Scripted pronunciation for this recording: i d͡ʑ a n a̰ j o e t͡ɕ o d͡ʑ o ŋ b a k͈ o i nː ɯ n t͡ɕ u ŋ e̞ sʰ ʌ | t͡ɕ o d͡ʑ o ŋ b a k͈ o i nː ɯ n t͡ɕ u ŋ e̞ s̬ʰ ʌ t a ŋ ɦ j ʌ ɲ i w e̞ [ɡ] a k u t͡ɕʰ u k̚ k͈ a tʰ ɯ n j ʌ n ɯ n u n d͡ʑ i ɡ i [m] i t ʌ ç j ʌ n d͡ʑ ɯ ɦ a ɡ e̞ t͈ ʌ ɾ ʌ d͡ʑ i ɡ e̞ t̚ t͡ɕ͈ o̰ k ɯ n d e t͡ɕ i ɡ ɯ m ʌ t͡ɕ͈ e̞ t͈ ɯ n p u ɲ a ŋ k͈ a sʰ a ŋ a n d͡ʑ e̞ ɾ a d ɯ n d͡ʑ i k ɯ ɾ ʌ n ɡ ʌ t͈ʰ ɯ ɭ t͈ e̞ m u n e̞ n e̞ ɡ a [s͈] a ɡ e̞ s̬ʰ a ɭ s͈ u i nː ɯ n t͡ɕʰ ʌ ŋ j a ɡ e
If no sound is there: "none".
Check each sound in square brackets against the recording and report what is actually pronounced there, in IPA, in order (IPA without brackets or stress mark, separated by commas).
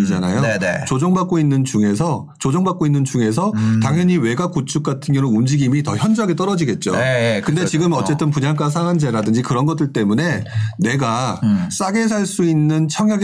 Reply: ɡ, m, s͈